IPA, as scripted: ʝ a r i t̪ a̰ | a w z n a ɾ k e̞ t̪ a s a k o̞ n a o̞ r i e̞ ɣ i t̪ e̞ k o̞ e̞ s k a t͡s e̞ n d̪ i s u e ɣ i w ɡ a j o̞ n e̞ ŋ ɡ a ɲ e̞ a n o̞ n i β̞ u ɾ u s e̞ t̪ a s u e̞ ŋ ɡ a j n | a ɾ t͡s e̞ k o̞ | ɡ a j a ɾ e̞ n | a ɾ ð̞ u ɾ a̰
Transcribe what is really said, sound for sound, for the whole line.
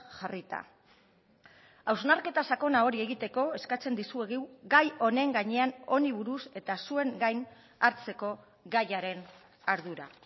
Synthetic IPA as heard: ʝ a r i t̪ a̰ | a w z n a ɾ k e̞ t̪ a s a k o̞ n a o̞ ɾ i e̞ ɣ i t̪ e̞ k o̞ e̞ s k a t͡s e̞ n d̪ i s u e ɣ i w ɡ a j o̞ n e̞ ŋ ɡ a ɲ e̞ a n o̞ n i β̞ u ɾ u s e̞ t̪ a s u e̞ ŋ ɡ a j n | a ɾ t͡s e̞ k o̞ | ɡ a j a ɾ e̞ n | a ɾ ð̞ u ɾ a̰